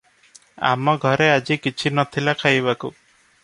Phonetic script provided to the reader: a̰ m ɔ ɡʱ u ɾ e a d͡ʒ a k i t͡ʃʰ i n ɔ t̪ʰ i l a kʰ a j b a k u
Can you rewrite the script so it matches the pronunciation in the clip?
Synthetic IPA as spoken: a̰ m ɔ ɡʱ ɔ ɾ e a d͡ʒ i k i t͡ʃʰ i n ɔ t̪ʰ i l a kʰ a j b a k u